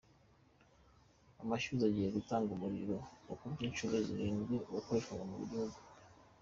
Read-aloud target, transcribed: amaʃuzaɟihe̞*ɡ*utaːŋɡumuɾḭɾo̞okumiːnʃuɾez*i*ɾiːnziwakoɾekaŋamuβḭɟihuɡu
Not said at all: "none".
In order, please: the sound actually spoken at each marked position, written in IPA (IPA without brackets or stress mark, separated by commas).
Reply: ɡ, i